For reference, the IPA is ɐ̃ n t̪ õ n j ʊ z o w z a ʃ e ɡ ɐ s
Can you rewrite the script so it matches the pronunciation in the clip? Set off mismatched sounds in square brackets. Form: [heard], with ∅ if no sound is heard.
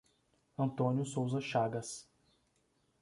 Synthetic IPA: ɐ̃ n t̪ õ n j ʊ [s] o w z [ɐ] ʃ [a] ɡ ɐ s